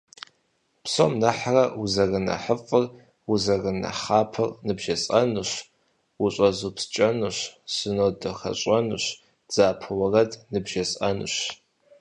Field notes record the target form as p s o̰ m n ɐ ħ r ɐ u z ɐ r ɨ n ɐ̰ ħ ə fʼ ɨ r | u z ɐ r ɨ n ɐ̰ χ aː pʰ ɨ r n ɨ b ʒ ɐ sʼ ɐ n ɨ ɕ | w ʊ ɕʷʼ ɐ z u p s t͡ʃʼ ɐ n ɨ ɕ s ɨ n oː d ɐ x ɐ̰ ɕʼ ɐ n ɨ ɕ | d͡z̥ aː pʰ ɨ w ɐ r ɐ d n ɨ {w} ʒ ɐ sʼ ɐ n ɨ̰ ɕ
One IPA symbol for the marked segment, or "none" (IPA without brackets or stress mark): b